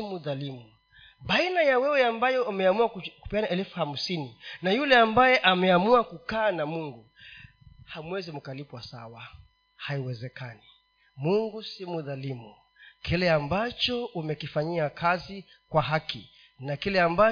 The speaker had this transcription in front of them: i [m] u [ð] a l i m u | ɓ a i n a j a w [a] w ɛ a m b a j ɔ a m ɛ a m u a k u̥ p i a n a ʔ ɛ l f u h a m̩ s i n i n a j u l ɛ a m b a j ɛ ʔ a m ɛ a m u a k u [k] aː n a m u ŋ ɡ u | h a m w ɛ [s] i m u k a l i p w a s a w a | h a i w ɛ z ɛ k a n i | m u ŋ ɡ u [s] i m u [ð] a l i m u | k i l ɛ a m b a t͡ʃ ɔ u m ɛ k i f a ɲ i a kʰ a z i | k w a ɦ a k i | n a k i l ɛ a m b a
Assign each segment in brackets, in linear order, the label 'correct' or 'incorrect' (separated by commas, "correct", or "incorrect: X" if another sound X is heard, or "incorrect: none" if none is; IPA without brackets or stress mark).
correct, correct, incorrect: ɛ, correct, incorrect: z, correct, correct